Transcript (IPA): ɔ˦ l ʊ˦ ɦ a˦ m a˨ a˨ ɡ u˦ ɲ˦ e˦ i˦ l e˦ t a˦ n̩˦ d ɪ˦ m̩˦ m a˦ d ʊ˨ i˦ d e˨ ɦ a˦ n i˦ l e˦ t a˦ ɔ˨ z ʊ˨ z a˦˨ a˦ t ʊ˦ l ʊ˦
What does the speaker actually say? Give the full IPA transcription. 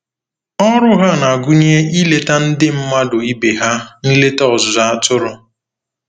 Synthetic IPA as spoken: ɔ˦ ɾ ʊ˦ ɦ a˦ n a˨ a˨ ɡ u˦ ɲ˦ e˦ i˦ l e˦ t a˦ n̩˦ d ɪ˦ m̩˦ m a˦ d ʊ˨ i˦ b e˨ ɦ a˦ n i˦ l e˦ t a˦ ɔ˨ z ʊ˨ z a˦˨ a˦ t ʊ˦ ɾ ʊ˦